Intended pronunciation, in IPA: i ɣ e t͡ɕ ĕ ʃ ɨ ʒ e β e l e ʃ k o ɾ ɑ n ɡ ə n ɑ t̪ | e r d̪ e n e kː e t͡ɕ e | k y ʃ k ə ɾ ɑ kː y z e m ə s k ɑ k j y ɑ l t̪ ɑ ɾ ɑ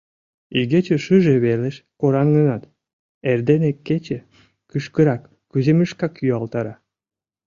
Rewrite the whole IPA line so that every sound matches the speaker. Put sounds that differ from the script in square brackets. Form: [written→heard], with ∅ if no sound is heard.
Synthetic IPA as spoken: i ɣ e t͡ɕ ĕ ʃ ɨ ʒ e β e l e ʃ k o ɾ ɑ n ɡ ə n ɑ t̪ | e r d̪ e n e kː e t͡ɕ e | k y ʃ k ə ɾ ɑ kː y z e m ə [s→ʃ] k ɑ k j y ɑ l t̪ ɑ ɾ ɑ